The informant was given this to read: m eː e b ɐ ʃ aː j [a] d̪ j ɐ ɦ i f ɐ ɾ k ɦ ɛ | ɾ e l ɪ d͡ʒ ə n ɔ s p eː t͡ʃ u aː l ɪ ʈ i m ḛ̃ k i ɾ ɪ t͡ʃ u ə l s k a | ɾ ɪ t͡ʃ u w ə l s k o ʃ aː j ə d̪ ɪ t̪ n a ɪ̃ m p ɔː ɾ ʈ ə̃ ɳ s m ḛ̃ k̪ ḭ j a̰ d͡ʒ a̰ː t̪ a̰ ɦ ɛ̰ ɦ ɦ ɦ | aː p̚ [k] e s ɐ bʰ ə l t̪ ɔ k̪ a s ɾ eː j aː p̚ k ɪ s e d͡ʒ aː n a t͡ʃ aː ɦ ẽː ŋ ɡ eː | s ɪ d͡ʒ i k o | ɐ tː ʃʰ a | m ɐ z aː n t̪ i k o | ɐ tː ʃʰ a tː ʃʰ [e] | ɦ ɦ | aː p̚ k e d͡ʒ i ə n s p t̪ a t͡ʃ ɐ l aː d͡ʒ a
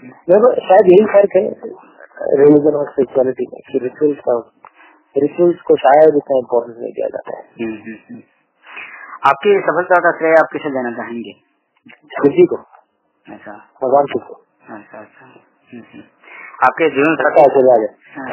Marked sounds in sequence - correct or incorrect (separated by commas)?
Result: incorrect, correct, incorrect